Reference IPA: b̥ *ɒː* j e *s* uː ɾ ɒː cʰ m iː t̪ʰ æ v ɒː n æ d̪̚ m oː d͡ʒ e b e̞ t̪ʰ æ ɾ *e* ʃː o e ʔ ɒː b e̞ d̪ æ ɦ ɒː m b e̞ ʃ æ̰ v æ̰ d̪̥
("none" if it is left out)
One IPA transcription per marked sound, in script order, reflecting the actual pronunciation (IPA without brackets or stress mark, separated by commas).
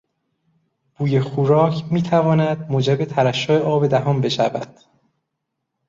uː, x, æ